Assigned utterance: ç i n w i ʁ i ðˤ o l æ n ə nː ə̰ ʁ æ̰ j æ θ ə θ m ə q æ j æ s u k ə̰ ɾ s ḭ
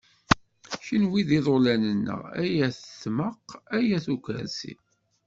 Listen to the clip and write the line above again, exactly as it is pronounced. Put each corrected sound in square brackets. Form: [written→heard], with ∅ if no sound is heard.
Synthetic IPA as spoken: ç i n w i [ʁ→ð] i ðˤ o l æ n ə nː ə̰ ʁ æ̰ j æ θ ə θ m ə q æ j æ [s→θ] u k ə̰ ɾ s ḭ